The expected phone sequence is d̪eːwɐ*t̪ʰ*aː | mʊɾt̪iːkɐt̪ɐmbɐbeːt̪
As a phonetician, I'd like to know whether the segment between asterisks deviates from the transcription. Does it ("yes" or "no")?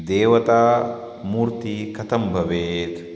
yes